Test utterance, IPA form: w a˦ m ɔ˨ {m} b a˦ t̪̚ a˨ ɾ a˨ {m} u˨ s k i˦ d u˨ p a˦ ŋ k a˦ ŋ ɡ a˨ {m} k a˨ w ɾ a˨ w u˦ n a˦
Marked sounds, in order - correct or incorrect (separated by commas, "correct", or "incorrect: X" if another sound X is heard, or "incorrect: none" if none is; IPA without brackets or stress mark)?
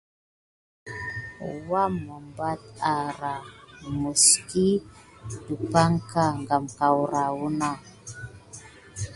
correct, correct, correct